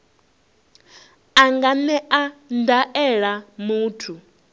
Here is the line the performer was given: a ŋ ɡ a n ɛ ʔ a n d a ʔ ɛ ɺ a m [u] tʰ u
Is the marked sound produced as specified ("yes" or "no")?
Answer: no